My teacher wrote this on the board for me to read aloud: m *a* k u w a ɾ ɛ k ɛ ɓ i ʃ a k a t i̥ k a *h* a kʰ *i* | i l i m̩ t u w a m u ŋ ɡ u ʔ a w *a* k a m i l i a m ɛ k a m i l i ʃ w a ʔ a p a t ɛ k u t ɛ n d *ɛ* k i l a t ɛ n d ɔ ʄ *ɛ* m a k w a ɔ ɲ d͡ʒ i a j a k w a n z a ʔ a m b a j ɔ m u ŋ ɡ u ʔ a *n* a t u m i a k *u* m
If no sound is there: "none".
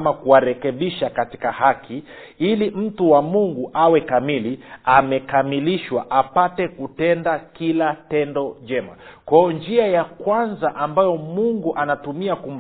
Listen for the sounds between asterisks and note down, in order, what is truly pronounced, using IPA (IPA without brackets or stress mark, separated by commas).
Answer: a, h, i, ɛ, a, ɛ, n, u